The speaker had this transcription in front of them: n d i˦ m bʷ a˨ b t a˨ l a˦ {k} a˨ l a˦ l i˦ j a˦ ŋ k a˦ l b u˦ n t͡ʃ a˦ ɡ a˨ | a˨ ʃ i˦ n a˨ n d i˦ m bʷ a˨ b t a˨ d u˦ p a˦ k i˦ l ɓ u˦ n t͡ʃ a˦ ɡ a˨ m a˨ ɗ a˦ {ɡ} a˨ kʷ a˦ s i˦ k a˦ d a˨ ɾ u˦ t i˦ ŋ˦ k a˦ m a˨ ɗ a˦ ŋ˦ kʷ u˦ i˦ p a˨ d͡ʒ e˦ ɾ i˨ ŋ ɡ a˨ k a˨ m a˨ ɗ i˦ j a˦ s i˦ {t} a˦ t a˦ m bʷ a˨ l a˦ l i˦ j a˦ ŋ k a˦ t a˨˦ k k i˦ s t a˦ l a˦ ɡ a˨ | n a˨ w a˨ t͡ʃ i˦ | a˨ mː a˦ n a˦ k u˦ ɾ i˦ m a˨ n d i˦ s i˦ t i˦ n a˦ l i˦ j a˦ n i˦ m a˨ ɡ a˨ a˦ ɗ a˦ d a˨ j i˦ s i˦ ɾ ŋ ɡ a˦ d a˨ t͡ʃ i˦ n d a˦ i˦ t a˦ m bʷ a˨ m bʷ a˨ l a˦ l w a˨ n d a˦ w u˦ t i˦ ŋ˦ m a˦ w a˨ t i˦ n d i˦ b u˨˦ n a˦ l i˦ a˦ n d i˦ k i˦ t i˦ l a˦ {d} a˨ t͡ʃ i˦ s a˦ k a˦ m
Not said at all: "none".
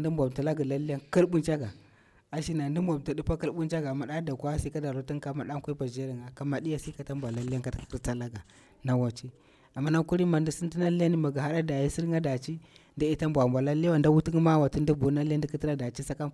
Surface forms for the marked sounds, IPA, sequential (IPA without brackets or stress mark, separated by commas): ɡ, d, k, d